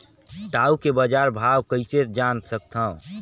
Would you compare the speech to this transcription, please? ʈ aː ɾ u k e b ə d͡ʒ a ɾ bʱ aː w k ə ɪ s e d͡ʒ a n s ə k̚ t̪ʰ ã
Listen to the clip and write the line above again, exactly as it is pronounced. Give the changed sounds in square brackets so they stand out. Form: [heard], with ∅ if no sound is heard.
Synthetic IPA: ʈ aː [∅] u k e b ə d͡ʒ a ɾ bʱ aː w k ə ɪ s e d͡ʒ a n s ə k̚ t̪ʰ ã